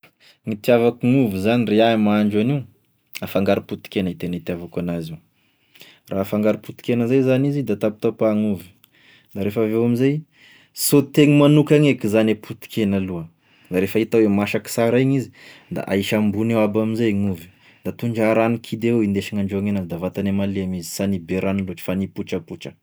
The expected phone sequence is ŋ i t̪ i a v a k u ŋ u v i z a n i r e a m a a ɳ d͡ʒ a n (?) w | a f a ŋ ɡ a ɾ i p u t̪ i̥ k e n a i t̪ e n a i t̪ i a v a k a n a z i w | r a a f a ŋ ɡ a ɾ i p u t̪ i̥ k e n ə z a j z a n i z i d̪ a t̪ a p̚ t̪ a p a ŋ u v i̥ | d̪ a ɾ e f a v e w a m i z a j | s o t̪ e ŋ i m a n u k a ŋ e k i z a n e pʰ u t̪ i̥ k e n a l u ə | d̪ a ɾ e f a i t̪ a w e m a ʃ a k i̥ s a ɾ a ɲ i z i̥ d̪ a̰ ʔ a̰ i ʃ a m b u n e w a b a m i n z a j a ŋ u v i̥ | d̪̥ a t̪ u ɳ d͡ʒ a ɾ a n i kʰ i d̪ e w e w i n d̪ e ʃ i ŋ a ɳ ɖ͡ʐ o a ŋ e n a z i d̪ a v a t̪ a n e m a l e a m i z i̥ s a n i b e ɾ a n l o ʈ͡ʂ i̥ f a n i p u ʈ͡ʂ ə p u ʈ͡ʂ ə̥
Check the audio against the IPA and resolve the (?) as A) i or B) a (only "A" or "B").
A